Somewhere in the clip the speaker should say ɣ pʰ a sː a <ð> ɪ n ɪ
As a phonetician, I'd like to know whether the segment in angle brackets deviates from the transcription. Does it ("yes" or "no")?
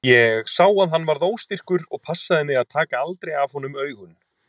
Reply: no